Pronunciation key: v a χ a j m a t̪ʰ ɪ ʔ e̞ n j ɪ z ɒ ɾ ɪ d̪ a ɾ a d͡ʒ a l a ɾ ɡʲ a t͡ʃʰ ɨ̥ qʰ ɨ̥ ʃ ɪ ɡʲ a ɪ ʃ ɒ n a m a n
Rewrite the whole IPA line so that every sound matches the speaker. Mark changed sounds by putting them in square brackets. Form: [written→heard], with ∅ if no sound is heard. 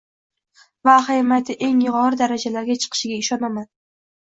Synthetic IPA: v a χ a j m a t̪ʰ ɪ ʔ e̞ [n→ŋ] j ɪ [z→ʁ] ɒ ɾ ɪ d̪ a ɾ a d͡ʒ a l a ɾ ɡʲ a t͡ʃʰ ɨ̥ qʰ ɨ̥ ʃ ɪ ɡʲ a ɪ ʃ ɒ n a m a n

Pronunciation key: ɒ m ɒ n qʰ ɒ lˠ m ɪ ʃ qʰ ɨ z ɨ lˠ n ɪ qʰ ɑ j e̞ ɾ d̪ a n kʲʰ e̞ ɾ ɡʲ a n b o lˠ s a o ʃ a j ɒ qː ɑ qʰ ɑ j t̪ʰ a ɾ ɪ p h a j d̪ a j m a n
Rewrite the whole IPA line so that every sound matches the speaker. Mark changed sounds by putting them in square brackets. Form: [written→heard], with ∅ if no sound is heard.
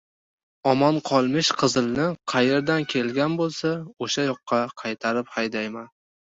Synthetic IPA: ɒ m ɒ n qʰ ɒ lˠ m ɪ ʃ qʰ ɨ z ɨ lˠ n ɪ qʰ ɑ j e̞ ɾ d̪ a n kʲʰ e̞ [ɾ→l] ɡʲ a n b o lˠ s a o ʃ a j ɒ qː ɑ qʰ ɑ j t̪ʰ a ɾ ɪ p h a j d̪ a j m a n

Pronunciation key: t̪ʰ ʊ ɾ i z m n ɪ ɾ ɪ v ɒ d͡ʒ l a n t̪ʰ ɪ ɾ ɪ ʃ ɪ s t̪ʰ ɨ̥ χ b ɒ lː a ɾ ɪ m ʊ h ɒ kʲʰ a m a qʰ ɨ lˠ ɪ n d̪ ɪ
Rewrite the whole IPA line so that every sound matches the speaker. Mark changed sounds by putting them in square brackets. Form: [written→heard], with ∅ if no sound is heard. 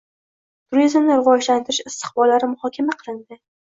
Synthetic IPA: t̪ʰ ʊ ɾ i z m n ɪ ɾ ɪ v ɒ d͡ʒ l a n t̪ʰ ɪ ɾ ɪ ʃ ɪ s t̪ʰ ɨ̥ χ b ɒ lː a ɾ ɪ m ʊ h ɒ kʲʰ a m a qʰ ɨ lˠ ɪ n d̪ ɪ

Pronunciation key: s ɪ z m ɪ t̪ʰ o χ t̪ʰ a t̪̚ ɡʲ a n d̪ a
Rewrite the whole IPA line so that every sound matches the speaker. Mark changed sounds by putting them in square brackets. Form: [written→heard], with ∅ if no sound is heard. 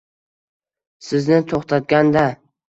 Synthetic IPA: s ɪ z [m→n] ɪ t̪ʰ o χ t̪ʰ a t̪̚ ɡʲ a n d̪ a

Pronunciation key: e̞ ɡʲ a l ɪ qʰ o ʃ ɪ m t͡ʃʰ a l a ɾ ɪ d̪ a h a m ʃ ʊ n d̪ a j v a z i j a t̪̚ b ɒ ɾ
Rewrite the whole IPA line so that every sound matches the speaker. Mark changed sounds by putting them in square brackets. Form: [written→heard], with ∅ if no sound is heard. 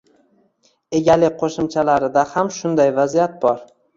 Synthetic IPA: e̞ ɡʲ a l ɪ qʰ o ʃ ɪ m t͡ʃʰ a l a ɾ ɪ d̪ a h a m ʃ ʊ n d̪ a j v a z i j a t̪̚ b ɒ ɾ

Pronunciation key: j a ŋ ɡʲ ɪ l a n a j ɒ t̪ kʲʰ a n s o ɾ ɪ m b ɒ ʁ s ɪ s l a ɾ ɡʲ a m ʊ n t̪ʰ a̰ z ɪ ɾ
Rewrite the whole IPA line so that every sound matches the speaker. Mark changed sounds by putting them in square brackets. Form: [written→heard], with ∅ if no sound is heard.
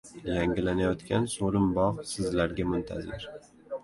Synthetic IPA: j a ŋ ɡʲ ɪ l a n a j ɒ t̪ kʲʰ a n s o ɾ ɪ m b ɒ ʁ s ɪ [s→z] l a ɾ ɡʲ a m ʊ n t̪ʰ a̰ z ɪ ɾ

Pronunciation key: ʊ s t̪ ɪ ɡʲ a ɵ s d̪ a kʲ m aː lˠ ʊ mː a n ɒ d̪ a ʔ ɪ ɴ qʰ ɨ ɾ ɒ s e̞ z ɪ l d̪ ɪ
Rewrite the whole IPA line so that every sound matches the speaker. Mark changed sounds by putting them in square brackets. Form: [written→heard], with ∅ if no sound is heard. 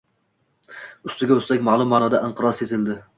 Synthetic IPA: ʊ s t̪ ɪ ɡʲ a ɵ s [d̪→t̪] a kʲ m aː lˠ ʊ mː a n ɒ d̪ a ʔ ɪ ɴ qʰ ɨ ɾ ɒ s e̞ z ɪ l d̪ ɪ

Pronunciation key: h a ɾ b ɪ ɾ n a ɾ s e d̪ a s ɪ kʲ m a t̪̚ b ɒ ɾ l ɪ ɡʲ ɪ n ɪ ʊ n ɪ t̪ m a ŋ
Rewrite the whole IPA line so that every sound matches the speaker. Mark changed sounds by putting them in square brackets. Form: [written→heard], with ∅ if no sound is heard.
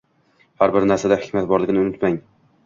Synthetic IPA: h a ɾ b ɪ ɾ n a ɾ s [e→a] d̪ a [s→h] ɪ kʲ m a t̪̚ b ɒ ɾ l ɪ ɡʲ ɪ n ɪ ʊ n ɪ t̪ m a ŋ

